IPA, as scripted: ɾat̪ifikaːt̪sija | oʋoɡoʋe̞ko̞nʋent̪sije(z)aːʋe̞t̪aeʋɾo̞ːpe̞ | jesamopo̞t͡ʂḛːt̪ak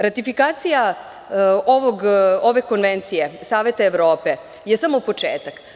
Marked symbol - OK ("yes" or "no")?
no